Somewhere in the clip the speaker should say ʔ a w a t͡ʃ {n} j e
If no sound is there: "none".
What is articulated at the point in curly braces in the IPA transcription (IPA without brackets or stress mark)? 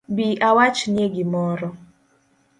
n